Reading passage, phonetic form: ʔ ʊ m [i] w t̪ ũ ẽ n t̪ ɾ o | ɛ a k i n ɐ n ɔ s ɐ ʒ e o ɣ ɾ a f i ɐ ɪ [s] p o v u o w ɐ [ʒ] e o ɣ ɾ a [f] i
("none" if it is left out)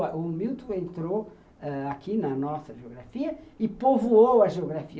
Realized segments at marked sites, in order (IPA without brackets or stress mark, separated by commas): i, none, ʒ, f